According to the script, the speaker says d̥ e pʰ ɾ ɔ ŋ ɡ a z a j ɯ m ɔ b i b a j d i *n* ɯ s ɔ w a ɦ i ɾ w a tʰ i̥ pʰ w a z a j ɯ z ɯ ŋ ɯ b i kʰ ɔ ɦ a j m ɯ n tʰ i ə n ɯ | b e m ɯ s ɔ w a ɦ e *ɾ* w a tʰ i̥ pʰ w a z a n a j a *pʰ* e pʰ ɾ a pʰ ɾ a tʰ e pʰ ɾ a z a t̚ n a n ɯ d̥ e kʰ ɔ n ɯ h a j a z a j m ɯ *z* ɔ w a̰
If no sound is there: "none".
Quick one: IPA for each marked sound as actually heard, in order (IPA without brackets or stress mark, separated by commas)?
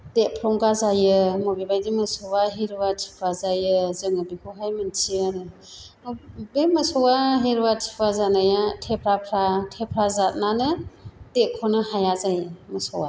m, ɾ, tʰ, s